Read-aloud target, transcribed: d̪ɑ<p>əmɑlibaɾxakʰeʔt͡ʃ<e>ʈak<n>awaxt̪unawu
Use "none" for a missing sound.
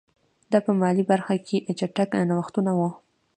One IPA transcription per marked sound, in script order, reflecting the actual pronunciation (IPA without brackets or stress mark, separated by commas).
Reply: p, a, n